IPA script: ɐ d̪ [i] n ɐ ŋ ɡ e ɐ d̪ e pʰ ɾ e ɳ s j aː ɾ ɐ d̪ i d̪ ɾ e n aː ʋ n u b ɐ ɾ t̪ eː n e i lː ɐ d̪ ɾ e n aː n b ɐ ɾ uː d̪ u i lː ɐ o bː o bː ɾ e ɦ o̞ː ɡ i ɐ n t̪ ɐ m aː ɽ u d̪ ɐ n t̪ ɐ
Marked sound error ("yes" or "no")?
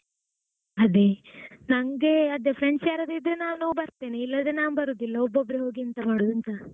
yes